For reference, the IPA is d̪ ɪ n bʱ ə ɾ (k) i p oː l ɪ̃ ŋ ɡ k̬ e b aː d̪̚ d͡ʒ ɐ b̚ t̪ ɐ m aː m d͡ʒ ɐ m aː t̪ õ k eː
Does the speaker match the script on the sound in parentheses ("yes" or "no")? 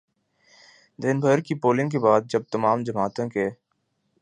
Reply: yes